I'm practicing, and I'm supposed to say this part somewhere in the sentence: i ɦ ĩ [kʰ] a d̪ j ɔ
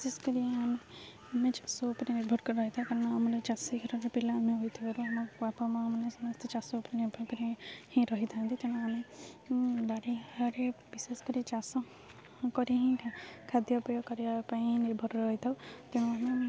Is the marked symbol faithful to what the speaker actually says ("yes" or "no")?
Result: yes